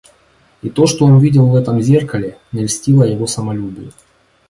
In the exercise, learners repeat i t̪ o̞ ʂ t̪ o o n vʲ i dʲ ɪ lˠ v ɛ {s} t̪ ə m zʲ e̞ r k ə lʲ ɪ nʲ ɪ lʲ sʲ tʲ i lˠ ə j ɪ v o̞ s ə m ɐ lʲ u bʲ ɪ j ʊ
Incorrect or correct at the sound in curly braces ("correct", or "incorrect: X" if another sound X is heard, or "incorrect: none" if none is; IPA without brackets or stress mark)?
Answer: incorrect: none